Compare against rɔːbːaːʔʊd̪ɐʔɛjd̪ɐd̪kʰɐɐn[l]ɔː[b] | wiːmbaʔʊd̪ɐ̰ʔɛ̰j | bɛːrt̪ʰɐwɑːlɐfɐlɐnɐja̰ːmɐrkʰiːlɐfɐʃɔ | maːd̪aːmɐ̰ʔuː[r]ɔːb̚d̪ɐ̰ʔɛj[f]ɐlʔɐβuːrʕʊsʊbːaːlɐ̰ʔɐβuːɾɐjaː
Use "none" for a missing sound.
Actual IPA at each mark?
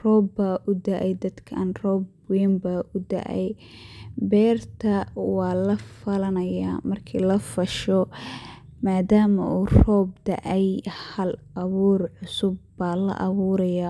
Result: r, b, r, h

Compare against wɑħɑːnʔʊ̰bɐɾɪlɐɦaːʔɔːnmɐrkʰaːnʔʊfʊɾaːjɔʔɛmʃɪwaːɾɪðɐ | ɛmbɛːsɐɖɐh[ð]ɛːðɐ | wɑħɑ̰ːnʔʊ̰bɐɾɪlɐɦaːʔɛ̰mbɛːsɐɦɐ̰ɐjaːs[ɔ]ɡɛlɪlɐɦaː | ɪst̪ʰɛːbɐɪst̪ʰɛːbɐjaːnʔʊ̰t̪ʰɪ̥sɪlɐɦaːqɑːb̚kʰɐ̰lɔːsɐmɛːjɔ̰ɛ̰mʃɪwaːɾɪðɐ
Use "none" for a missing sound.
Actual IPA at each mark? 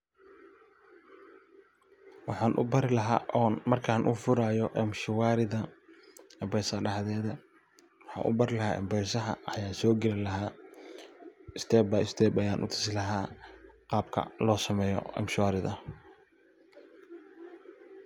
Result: ð, ɔː

